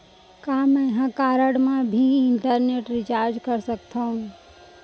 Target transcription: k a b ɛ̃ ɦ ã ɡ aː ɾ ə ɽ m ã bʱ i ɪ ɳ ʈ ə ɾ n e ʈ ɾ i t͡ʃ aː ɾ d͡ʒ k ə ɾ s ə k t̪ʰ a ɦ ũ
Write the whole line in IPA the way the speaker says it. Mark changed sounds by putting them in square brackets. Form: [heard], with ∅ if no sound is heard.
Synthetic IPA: k a [m] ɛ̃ ɦ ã [k] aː ɾ ə ɽ m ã bʱ i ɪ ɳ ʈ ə ɾ n e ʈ ɾ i t͡ʃ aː ɾ d͡ʒ k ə ɾ s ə k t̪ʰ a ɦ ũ